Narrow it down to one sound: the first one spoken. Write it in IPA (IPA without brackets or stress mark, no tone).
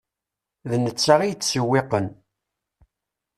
ð